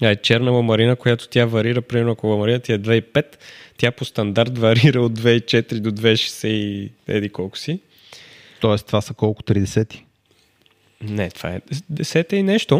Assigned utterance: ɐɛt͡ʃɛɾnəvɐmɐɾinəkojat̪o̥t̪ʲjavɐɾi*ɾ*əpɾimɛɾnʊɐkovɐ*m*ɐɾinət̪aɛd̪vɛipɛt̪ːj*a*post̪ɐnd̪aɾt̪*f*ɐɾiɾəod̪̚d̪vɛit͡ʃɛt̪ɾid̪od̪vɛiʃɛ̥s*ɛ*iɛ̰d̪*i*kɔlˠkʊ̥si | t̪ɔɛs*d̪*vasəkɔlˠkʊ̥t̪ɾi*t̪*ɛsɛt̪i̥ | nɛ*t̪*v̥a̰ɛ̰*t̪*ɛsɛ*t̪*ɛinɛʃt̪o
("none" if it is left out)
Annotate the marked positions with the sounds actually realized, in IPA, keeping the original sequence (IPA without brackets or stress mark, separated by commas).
ɾ, m, a, v, ɛ, i, t̪, d̪, t̪, d̪, t̪